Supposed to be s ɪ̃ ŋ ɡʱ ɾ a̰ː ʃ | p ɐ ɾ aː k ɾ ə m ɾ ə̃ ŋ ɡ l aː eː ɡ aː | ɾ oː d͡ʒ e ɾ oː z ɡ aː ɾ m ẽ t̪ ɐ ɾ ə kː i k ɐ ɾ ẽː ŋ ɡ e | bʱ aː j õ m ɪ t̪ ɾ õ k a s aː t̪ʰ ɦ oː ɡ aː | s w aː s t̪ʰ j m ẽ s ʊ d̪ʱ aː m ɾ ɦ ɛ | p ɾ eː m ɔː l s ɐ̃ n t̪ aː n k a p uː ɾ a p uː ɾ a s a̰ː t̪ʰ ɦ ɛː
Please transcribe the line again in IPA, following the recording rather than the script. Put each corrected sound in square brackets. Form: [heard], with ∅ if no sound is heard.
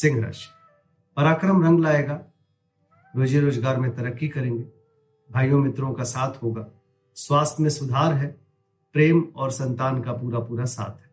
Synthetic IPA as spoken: s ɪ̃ ŋ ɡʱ ɾ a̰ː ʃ | p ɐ ɾ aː k ɾ ə m ɾ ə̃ ŋ ɡ l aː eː ɡ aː | ɾ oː d͡ʒ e ɾ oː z ɡ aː ɾ m ẽ t̪ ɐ ɾ ə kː i k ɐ ɾ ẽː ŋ ɡ e | bʱ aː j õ m ɪ t̪ ɾ õ k a s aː t̪ʰ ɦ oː ɡ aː | s w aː s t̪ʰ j m ẽ s ʊ d̪ʱ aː [∅] ɾ ɦ ɛ | p ɾ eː m ɔː [ɾ] s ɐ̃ n t̪ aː n k a p uː ɾ a p uː ɾ a s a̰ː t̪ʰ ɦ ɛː